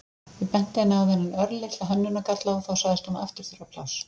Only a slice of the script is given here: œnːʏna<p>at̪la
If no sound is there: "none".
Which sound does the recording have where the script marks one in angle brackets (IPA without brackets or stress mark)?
k